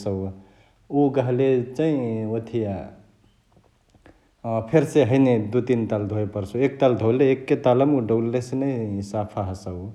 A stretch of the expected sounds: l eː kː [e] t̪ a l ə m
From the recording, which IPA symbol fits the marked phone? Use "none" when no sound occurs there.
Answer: e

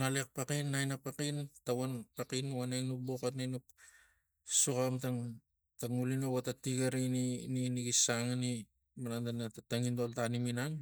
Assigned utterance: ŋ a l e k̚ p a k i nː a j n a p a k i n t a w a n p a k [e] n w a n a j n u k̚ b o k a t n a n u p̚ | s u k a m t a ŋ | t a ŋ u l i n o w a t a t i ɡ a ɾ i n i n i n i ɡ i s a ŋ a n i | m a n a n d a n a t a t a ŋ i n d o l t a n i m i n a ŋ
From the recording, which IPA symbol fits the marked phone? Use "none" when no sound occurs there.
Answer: i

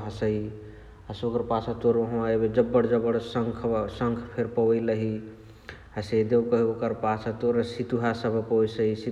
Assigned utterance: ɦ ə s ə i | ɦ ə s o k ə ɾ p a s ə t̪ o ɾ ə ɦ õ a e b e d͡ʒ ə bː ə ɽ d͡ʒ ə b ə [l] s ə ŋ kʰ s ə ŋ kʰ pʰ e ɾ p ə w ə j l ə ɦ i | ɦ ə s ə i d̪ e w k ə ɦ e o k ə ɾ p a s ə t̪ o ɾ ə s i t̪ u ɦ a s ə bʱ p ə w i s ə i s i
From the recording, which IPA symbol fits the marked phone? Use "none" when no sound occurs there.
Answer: ɽ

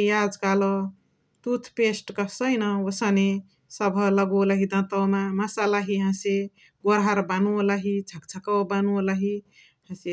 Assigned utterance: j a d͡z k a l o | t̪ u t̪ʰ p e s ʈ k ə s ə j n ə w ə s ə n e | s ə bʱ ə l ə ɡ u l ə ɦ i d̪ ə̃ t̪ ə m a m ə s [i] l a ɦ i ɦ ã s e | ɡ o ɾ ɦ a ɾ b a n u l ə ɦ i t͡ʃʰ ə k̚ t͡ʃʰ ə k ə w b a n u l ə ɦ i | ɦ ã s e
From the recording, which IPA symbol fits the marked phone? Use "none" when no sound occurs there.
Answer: a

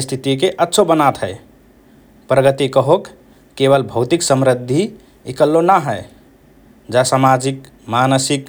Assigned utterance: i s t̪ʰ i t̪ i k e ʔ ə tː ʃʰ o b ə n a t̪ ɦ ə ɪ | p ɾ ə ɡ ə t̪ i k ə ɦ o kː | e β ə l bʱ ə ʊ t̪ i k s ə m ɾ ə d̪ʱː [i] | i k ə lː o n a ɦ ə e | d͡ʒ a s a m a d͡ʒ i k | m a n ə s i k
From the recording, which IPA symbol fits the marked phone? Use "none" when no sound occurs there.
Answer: i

